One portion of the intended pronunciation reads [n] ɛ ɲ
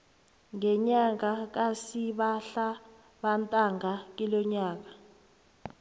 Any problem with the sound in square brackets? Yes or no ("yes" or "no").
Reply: yes